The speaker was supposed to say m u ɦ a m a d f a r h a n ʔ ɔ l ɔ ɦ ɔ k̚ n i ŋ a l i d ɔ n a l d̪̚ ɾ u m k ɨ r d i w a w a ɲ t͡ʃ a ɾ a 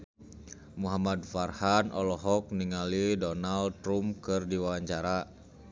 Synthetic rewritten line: m u ɦ a m a d f a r h a n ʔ ɔ l ɔ ɦ ɔ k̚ n i ŋ a l i d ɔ n a l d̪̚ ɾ u m k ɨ r d i w a w a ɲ t͡ʃ a ɾ a